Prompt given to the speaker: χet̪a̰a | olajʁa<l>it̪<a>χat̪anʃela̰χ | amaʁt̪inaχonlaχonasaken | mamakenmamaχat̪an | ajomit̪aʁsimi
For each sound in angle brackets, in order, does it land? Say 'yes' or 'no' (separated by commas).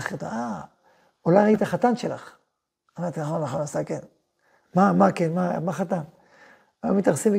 no, yes